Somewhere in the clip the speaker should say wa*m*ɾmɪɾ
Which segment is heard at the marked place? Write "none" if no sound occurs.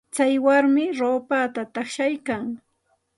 none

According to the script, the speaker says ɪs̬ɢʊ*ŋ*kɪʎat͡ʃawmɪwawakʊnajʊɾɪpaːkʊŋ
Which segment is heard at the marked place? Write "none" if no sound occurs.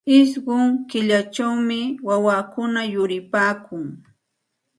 ŋ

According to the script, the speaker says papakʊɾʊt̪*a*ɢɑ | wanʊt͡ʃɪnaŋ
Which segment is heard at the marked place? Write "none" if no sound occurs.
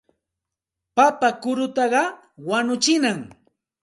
ɑ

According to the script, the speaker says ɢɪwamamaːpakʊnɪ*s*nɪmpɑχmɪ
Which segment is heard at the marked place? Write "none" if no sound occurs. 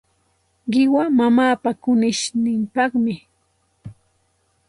ʃ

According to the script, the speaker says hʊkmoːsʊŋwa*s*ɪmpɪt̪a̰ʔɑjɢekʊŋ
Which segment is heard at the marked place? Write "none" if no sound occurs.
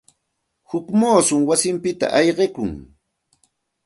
s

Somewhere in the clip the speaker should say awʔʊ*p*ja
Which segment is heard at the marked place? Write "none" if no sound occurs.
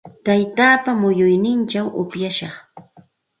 p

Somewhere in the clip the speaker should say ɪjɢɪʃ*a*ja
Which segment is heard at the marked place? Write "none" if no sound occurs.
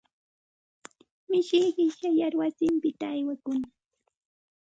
a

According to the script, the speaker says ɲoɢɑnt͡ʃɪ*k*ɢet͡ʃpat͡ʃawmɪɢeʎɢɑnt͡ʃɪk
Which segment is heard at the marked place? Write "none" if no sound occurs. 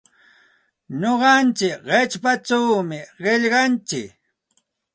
k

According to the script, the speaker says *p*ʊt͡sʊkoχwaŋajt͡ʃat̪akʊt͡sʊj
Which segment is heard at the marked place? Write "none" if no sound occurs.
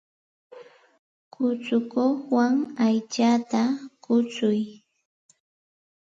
k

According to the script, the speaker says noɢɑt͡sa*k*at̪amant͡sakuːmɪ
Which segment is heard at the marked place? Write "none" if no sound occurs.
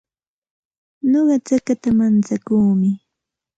k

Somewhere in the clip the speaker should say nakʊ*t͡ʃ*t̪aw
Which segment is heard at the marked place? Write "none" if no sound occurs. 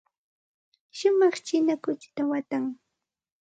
t͡ʃ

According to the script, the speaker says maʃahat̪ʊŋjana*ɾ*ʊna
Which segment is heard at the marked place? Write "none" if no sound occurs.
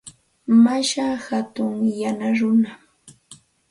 ɾ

